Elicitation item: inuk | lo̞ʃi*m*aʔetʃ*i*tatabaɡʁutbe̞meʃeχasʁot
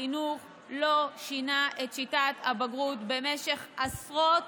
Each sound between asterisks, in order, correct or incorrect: incorrect: n, correct

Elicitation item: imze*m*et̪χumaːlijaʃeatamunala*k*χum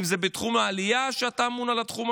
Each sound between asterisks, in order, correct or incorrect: incorrect: b, incorrect: t

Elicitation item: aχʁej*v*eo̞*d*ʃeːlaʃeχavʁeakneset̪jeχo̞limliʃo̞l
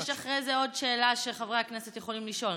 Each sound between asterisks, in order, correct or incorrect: incorrect: z, correct

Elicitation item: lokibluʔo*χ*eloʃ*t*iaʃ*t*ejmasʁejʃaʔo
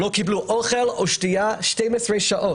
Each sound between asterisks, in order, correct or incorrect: correct, correct, correct

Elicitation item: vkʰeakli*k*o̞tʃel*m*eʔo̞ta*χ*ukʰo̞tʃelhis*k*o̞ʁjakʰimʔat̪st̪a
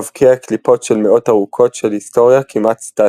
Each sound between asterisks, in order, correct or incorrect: incorrect: p, correct, incorrect: ʁ, incorrect: t

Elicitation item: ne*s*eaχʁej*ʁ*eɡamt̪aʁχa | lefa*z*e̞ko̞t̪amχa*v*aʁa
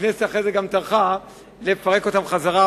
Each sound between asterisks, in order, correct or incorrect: correct, incorrect: z, incorrect: ʁ, incorrect: z

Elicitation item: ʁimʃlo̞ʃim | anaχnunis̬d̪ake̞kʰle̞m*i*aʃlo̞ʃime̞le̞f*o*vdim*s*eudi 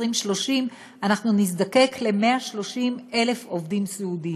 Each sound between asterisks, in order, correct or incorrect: incorrect: e, correct, correct

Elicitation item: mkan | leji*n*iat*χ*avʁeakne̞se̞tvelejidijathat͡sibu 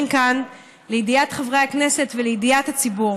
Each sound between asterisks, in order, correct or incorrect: incorrect: d, correct

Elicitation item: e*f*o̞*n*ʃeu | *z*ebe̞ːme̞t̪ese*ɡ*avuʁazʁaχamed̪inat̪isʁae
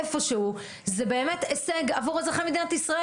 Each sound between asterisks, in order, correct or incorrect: correct, incorrect: none, correct, correct

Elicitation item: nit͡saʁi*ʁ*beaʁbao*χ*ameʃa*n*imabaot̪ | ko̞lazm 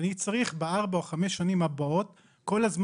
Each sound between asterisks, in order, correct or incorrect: incorrect: χ, correct, correct

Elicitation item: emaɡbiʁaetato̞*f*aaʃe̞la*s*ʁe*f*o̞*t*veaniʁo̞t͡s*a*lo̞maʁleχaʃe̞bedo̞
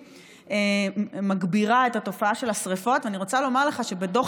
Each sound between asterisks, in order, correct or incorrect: correct, correct, correct, correct, correct

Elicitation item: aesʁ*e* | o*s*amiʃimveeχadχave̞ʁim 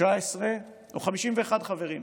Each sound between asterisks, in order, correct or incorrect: correct, incorrect: χ

